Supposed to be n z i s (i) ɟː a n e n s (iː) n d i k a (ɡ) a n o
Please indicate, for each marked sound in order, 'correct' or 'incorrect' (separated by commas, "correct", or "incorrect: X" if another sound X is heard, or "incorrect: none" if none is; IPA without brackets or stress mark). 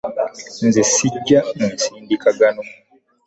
correct, correct, correct